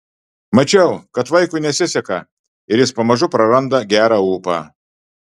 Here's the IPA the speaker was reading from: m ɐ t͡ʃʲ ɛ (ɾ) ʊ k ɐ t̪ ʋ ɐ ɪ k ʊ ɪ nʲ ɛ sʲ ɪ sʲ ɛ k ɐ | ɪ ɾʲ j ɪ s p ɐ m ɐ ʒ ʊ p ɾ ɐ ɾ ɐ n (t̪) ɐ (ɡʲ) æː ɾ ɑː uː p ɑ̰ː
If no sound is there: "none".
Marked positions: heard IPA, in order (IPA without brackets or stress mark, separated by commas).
none, d̪, ɡʲ